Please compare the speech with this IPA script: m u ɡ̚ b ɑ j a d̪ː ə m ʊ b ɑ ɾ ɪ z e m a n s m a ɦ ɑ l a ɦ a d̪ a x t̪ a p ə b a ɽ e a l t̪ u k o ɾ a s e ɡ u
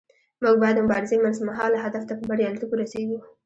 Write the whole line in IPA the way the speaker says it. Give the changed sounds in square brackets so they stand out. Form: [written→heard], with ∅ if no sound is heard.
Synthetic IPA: m u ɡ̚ b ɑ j a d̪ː ə m ʊ b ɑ ɾ ɪ z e m a n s m a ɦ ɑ l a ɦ a d̪ a [x→f] t̪ a p ə b a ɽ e a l t̪ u k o ɾ a s e ɡ u